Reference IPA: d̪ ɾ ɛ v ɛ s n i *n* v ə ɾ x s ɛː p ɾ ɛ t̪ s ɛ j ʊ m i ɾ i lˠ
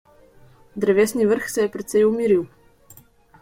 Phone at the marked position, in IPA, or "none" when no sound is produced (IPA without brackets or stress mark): none